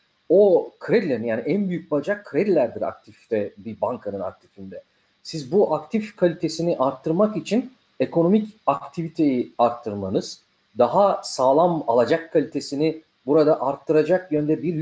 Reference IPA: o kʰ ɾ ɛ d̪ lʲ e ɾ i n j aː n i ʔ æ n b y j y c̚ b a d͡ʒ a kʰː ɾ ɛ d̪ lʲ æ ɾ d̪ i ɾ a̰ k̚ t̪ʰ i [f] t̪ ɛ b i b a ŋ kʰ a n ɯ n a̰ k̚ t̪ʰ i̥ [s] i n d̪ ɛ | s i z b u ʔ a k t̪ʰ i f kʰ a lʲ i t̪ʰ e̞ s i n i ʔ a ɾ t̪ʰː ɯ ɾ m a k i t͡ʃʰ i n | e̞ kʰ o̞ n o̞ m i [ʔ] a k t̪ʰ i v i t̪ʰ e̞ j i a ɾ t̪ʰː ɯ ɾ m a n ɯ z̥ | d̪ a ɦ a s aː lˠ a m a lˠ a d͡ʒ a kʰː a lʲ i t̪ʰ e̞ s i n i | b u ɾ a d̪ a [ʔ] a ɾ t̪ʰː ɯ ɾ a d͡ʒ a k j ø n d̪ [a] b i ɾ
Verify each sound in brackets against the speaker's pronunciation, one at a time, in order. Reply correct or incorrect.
correct, incorrect, incorrect, correct, incorrect

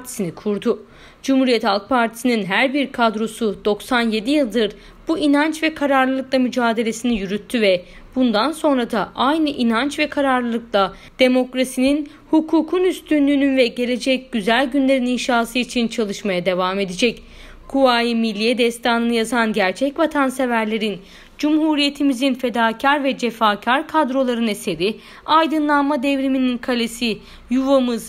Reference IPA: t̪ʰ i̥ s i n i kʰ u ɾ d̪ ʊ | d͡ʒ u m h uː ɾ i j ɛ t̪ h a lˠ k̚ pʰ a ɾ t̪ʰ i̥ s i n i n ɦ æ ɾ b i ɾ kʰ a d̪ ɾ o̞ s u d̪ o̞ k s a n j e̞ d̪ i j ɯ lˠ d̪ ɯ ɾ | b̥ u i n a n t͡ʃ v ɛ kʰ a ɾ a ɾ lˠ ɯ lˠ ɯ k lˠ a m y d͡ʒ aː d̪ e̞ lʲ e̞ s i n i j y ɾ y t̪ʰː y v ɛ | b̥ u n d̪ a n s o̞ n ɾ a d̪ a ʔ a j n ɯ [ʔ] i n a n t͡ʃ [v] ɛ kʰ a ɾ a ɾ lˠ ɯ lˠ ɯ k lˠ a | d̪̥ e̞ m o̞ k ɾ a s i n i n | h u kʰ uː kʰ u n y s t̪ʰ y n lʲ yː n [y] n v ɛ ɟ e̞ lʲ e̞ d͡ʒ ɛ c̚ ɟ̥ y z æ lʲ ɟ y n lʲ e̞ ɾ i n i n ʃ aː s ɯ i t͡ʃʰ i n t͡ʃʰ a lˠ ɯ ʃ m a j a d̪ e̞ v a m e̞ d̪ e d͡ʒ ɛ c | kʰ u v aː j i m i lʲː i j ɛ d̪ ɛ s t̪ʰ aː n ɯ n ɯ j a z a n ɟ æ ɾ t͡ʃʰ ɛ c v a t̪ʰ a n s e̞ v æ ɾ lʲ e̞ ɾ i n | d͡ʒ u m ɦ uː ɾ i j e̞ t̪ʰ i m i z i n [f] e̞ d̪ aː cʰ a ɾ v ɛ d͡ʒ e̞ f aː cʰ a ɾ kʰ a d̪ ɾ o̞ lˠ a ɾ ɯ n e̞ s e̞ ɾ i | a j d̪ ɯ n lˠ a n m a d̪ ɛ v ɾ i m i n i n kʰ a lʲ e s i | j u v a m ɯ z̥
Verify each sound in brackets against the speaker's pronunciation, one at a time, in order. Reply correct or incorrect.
correct, correct, correct, correct

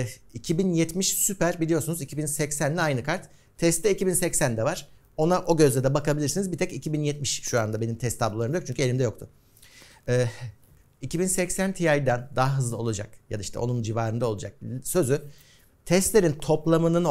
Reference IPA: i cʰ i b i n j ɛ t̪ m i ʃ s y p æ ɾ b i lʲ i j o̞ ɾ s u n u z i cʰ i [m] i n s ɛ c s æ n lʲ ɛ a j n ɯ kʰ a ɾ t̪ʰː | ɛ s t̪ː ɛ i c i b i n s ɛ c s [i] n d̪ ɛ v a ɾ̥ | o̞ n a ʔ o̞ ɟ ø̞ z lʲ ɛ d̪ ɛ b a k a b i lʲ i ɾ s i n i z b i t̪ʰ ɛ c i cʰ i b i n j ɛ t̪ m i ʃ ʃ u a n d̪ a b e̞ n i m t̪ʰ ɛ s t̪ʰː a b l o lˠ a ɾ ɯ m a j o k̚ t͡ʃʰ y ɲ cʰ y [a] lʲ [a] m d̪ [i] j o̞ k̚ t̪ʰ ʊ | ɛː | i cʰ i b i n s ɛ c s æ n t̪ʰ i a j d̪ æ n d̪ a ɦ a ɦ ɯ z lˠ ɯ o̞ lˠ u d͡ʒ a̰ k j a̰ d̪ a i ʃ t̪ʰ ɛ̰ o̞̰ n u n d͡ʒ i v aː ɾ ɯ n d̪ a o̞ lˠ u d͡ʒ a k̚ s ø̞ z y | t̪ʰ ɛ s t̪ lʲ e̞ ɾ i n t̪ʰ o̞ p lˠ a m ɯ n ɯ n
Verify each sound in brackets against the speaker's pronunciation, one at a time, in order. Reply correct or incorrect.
incorrect, incorrect, incorrect, incorrect, incorrect

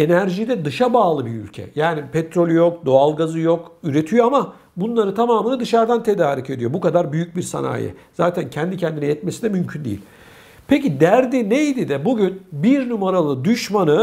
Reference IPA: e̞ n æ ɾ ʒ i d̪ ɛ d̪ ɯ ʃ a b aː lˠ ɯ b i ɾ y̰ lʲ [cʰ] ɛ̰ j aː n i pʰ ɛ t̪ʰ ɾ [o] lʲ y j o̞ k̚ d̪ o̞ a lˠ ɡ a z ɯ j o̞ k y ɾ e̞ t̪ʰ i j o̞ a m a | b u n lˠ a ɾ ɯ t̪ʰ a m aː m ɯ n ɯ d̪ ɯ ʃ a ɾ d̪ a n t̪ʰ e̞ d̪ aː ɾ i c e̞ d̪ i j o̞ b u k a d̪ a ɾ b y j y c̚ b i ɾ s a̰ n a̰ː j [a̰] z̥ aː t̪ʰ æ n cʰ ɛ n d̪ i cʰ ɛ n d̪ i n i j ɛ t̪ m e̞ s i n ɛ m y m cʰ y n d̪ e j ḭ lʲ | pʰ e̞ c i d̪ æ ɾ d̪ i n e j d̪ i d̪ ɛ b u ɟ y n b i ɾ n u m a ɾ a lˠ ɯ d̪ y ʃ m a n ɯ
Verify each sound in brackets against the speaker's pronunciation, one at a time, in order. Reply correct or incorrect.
correct, correct, incorrect

